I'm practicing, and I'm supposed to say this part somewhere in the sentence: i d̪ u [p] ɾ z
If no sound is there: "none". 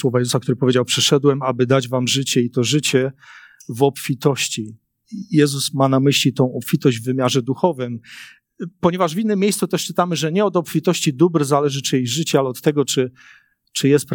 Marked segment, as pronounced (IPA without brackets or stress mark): b